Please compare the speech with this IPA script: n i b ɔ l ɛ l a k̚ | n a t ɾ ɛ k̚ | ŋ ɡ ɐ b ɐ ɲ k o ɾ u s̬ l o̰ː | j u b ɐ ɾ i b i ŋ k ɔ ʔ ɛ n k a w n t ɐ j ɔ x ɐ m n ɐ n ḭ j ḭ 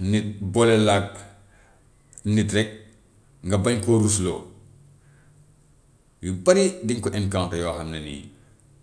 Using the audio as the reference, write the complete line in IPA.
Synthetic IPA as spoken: n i b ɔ l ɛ l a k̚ | n i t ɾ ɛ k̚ | ŋ ɡ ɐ b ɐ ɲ k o ɾ u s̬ l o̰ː | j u b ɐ ɾ i d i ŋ k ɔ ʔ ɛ n k a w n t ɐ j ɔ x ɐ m n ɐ n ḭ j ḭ